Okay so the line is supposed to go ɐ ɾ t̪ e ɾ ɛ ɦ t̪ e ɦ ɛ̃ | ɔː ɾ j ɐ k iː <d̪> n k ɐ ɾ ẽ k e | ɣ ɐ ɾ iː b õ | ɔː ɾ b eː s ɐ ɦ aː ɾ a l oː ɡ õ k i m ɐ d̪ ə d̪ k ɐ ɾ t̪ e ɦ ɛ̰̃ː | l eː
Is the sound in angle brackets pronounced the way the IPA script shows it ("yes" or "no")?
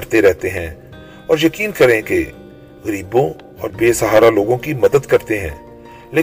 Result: no